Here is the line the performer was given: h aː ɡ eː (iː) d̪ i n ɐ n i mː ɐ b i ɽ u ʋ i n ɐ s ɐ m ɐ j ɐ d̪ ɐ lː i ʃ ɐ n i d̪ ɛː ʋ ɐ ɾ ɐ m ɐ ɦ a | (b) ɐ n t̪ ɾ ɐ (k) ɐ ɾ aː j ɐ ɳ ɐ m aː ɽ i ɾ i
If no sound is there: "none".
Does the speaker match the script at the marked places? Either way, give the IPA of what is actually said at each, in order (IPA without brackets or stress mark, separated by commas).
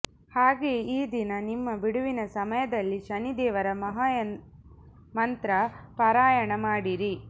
iː, m, p